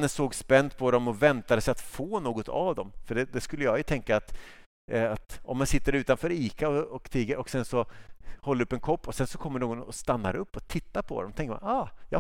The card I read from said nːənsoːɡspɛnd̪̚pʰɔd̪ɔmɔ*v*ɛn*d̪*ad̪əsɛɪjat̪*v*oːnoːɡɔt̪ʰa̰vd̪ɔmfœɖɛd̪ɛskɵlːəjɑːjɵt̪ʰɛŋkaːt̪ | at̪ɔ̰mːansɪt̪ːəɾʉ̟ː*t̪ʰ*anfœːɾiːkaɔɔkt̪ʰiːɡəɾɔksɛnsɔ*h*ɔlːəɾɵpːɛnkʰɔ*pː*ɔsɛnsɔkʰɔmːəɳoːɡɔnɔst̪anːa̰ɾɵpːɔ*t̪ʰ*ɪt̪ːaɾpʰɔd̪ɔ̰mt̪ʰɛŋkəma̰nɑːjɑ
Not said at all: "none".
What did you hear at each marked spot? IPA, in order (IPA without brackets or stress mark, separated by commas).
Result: v, t̪, f, t̪, h, pː, t̪ʰ